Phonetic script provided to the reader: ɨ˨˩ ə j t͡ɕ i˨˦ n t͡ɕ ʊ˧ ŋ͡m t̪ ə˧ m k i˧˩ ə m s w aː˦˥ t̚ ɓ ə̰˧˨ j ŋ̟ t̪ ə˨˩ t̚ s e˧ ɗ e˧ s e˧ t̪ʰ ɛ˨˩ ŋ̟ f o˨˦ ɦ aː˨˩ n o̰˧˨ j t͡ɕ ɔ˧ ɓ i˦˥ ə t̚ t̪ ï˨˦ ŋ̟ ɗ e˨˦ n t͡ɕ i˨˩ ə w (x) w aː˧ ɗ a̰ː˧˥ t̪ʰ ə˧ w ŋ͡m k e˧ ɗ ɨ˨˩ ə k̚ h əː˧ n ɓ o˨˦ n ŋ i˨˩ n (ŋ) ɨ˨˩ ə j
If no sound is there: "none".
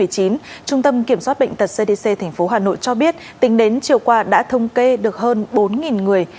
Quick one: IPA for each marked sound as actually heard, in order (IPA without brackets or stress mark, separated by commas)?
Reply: k, ŋ